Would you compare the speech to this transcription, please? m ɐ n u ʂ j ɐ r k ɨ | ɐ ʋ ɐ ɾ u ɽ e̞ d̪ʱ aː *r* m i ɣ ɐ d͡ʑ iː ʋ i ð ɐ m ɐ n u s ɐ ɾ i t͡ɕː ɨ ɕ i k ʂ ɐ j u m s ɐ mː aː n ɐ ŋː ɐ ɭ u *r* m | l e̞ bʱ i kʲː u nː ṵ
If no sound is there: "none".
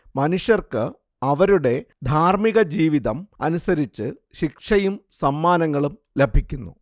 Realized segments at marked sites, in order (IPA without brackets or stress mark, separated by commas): r, none